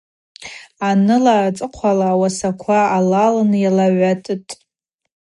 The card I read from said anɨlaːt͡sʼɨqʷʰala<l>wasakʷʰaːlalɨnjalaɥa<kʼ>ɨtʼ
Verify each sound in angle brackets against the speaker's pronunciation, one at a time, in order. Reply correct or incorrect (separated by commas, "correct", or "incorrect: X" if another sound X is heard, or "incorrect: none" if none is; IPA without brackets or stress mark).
incorrect: none, incorrect: tʼ